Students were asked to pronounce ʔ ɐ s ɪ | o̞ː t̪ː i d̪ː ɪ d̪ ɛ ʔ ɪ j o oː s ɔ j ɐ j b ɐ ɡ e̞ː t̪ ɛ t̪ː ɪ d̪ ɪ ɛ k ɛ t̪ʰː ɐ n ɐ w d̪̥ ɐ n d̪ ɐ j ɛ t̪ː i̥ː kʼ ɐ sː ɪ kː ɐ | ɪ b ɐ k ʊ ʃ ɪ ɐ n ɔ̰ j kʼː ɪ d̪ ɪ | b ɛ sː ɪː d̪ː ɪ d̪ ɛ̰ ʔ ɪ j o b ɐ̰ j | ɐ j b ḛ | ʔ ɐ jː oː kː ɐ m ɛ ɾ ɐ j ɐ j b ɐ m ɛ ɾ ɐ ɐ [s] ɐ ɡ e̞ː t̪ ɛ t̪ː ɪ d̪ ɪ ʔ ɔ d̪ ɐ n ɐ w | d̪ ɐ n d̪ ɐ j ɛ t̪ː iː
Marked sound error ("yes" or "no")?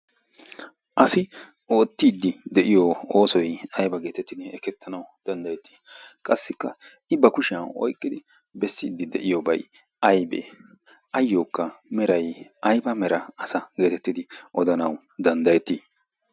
no